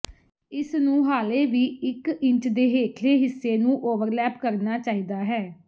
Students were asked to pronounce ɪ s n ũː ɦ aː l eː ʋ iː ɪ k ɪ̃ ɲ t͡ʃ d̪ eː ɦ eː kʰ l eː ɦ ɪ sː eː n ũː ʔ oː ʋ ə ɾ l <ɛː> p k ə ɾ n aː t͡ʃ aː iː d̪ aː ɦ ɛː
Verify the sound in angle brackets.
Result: correct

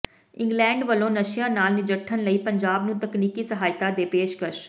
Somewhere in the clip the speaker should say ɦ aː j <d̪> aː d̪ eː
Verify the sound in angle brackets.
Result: incorrect: t̪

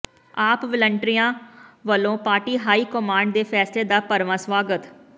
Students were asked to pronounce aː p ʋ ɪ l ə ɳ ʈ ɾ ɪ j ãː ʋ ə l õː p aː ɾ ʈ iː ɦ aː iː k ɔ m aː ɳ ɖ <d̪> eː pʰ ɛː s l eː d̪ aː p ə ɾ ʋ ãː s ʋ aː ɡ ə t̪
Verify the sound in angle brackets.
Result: correct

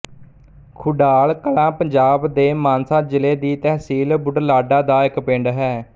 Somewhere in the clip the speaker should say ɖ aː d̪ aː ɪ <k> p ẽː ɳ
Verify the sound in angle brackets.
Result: correct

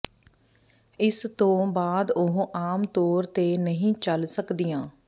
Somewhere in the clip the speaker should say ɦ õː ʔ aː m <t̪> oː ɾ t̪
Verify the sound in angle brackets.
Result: correct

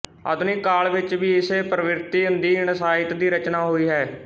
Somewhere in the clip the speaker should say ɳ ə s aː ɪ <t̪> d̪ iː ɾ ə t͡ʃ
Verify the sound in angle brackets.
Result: correct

